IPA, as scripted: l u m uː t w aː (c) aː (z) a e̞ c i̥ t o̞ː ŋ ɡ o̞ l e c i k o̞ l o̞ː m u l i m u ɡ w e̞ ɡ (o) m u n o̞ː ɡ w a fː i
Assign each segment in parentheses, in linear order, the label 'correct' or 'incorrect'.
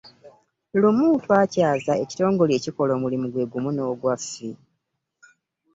correct, correct, incorrect: u

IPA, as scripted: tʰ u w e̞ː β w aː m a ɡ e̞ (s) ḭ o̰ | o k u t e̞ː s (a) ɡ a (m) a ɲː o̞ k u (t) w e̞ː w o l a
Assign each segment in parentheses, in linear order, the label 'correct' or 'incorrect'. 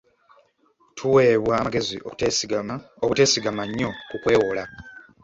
incorrect: z, incorrect: i, correct, incorrect: k

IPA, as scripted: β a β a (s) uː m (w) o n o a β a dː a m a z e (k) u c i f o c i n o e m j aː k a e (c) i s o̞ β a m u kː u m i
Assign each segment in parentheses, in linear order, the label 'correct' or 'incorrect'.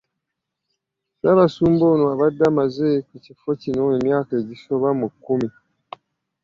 correct, incorrect: b, correct, incorrect: ɟ

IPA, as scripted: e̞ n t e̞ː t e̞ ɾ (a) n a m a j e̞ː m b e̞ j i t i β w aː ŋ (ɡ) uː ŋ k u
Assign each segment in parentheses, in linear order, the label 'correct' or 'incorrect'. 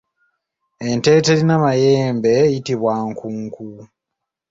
incorrect: i, incorrect: k

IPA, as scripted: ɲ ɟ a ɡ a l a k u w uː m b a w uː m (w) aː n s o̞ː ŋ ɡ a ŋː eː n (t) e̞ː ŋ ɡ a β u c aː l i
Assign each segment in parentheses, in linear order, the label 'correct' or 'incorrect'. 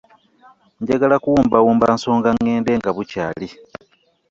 incorrect: b, incorrect: d

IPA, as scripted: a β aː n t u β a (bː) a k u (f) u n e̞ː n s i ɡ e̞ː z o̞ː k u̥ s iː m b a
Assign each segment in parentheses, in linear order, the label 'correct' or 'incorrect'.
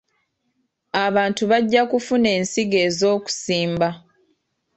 incorrect: ɟː, correct

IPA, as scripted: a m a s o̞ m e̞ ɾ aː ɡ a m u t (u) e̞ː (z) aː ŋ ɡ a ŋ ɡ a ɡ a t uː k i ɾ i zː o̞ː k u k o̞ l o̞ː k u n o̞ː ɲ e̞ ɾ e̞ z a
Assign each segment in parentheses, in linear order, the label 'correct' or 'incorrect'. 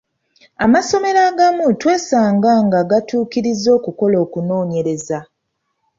incorrect: w, incorrect: s

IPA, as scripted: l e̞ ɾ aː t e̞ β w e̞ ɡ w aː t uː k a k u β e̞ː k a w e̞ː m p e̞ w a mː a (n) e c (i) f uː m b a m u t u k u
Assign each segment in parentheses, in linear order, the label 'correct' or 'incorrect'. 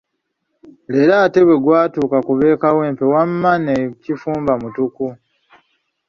correct, correct

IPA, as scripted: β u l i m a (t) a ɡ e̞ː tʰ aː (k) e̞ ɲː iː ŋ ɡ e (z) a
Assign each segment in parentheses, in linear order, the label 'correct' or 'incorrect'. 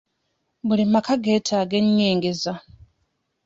incorrect: k, incorrect: ɡ, correct

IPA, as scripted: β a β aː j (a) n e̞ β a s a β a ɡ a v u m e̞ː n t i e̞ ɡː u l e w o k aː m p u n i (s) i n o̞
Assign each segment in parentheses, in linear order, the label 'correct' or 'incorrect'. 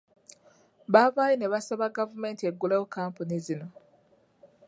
incorrect: i, incorrect: z

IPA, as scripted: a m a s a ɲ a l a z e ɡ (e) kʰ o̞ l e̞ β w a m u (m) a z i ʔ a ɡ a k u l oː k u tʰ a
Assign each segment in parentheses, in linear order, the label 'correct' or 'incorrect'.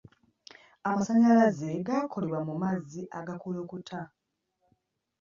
incorrect: a, correct

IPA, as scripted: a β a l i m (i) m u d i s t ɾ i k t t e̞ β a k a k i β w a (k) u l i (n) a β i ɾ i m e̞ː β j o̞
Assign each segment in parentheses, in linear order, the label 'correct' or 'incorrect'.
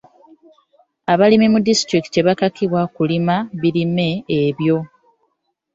correct, correct, incorrect: m

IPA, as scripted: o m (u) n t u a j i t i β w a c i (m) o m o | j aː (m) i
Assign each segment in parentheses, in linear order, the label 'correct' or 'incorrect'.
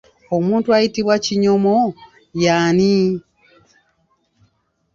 incorrect: uː, incorrect: ɲ, incorrect: n

